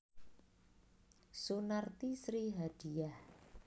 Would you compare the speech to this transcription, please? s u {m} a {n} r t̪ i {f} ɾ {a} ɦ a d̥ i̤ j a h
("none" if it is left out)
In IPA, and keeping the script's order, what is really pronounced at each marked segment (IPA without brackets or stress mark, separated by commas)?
n, none, s, i